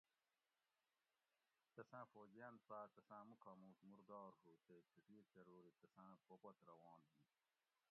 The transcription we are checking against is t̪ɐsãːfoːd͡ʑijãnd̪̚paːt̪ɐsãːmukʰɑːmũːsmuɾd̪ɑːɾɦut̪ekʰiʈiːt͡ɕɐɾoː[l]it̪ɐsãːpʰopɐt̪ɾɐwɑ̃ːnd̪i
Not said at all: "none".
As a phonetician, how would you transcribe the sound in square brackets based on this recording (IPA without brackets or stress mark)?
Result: ɾ